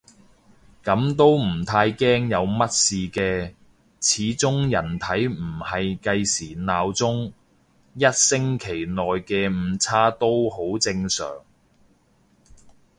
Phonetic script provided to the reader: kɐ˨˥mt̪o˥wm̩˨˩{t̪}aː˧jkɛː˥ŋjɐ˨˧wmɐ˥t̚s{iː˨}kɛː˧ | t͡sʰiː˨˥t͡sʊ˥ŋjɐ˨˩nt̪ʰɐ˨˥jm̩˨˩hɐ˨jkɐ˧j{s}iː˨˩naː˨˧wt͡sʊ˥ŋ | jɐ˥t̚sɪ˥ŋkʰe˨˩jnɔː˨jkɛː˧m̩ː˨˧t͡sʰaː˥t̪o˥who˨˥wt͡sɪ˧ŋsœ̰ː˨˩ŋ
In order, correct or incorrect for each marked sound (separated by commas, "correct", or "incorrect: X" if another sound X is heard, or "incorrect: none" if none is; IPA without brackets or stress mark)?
incorrect: t̪ʰ, correct, correct